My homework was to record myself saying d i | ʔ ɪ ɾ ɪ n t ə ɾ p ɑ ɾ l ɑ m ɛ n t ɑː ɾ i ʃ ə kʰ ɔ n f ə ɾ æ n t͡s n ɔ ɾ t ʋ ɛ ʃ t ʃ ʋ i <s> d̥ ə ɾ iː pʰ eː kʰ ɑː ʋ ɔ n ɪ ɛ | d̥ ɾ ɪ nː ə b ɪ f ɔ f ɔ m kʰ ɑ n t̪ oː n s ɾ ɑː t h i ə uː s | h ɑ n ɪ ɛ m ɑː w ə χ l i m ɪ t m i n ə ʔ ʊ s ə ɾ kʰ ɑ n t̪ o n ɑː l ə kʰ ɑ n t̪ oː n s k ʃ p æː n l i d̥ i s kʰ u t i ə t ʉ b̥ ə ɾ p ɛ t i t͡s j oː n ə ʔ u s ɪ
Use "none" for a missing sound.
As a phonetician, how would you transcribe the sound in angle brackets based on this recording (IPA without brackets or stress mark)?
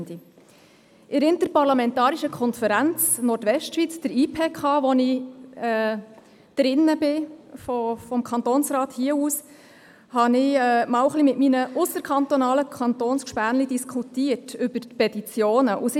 t͡s